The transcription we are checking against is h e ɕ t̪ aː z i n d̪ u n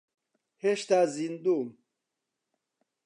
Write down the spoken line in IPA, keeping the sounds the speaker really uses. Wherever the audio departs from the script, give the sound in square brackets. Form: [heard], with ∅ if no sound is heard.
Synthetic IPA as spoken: h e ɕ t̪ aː z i n d̪ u [m]